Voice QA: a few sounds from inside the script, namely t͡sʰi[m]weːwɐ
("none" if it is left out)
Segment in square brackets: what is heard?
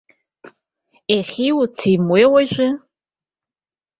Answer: m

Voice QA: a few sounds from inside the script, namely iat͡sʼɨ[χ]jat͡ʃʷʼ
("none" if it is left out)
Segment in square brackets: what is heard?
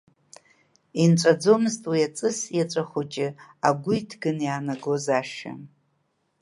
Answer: s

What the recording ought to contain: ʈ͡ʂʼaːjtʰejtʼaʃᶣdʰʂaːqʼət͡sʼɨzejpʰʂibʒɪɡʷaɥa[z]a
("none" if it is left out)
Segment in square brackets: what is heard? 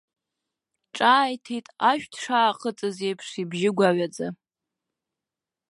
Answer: d͡z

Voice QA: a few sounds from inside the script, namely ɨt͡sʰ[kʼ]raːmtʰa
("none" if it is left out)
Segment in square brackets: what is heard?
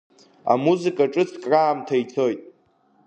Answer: kʼ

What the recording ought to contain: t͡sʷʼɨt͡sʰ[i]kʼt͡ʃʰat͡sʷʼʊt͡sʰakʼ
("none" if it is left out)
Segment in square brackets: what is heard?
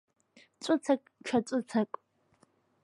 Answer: a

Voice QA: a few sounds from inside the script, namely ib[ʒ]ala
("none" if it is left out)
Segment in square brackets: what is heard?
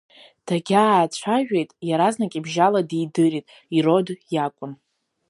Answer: ʒ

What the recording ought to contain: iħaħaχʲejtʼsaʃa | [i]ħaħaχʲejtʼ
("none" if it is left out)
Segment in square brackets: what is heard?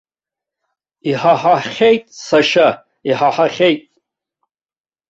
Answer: i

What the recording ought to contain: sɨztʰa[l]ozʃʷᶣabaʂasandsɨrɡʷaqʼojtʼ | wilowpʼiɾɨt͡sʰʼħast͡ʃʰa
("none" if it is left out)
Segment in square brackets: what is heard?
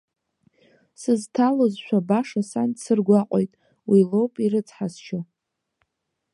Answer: l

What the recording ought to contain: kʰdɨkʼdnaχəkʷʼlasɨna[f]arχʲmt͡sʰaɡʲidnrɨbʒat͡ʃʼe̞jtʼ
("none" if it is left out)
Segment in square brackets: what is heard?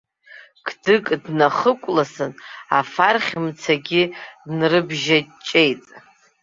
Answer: f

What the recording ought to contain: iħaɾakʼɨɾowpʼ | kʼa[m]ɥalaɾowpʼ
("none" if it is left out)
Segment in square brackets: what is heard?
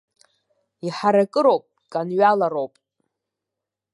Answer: n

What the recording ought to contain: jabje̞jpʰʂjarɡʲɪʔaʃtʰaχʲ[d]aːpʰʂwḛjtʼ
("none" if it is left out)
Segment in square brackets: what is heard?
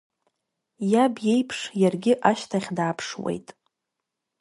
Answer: d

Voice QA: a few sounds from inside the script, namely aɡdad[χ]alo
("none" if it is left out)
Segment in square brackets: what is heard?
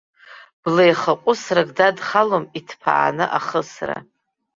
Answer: χ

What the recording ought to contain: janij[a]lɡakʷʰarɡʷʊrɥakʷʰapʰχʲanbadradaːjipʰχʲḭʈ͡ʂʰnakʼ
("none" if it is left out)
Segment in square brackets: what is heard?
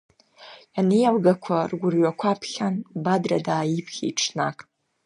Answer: a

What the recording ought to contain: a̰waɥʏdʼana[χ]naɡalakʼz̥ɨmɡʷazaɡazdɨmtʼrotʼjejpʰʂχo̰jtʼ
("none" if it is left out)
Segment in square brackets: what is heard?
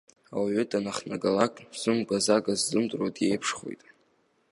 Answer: χ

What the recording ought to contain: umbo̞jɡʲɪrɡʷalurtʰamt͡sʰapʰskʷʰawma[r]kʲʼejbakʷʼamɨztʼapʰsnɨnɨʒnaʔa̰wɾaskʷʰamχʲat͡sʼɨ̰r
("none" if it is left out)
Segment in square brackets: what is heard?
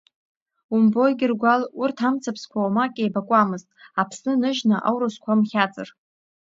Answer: none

